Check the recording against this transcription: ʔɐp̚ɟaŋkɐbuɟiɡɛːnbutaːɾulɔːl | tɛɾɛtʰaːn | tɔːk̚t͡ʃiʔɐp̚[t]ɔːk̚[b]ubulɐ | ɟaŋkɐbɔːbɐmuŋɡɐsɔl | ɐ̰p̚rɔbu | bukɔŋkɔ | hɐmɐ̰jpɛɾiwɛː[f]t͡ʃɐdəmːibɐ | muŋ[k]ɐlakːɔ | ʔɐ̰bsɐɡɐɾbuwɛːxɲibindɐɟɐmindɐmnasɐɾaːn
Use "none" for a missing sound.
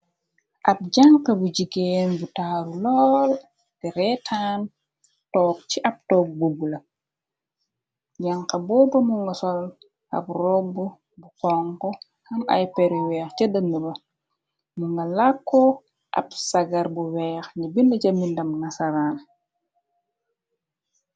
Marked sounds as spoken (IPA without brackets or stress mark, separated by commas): t, b, x, ɡ